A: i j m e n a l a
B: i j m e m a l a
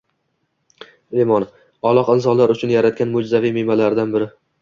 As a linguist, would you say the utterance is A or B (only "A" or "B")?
B